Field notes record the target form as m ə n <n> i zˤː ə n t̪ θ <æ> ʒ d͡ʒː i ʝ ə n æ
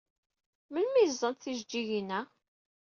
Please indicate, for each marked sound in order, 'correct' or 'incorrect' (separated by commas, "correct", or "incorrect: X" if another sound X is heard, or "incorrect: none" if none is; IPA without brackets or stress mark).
incorrect: m, incorrect: i